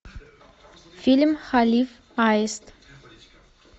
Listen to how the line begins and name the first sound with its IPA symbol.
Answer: f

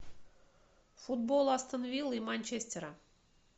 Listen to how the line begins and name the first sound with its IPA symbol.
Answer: f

